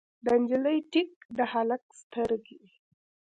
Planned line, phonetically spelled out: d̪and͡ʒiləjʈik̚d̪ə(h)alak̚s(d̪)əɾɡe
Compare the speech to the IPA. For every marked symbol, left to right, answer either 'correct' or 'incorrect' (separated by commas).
correct, incorrect